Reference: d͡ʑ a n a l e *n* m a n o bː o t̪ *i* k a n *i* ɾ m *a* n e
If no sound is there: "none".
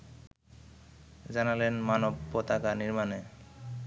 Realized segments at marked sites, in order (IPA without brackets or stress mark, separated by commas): n, a, i, a